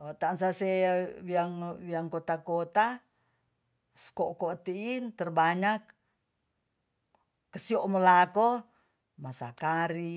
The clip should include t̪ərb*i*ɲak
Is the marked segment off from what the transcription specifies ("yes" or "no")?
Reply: yes